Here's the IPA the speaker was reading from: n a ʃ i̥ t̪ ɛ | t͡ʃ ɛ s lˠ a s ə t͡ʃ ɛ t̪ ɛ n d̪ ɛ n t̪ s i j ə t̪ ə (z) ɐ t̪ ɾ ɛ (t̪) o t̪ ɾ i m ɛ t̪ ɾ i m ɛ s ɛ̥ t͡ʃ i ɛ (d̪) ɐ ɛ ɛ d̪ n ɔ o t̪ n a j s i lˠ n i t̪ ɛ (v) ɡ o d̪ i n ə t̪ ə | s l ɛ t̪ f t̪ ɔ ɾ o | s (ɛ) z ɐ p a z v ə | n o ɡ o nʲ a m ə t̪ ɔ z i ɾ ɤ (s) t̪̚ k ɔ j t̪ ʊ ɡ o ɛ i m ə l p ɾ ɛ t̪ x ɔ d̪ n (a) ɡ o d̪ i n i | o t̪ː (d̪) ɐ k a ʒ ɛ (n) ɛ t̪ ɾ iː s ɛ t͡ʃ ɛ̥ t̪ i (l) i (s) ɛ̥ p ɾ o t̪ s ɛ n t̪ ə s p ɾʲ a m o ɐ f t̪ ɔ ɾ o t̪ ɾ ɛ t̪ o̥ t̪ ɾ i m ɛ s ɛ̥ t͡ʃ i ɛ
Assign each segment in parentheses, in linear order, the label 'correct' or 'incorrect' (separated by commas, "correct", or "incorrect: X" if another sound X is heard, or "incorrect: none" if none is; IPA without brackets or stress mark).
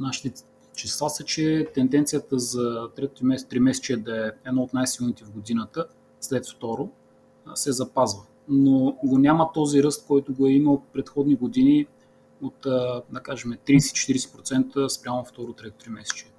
correct, correct, correct, correct, correct, correct, incorrect: i, correct, incorrect: m, incorrect: ɾ, correct